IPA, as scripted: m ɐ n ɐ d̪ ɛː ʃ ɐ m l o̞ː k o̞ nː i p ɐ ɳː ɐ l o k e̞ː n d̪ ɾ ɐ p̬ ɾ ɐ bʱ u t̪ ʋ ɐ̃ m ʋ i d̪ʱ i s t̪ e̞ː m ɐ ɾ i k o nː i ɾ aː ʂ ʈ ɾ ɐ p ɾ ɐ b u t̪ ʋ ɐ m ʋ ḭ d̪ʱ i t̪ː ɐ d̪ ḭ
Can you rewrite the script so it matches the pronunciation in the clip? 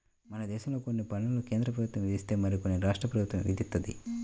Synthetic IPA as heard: m ɐ n ɐ d̪ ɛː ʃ ɐ m l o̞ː k o̞ nː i p ɐ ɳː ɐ l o k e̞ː n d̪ ɾ ɐ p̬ ɾ ɐ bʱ u t̪ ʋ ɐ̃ m ʋ i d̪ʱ i s t̪ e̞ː m ɐ ɾ i k o nː i ɾ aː ʂ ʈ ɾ ɐ p ɾ ɐ b u t̪ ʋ ɐ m ʋ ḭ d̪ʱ i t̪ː ɐ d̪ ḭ